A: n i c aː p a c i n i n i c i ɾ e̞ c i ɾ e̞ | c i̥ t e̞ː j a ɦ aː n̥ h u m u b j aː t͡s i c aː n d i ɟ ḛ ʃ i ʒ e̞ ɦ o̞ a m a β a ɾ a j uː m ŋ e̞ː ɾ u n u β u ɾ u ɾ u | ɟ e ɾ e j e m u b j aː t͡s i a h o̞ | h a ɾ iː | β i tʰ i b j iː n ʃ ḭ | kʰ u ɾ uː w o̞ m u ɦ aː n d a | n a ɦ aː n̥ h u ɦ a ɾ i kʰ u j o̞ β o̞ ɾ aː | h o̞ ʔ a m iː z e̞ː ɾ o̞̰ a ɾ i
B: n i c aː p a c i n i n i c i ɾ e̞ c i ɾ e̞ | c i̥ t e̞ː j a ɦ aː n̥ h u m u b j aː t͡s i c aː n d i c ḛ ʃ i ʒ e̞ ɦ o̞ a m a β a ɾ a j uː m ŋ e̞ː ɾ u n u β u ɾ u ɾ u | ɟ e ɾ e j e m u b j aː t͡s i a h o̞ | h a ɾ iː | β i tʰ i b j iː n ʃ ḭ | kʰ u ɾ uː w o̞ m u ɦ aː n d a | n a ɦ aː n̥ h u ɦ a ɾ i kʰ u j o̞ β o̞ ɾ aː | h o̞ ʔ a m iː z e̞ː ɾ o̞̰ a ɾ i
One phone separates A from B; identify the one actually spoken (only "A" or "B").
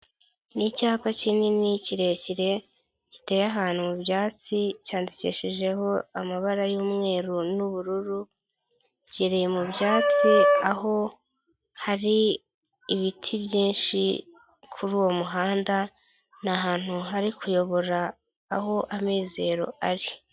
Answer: B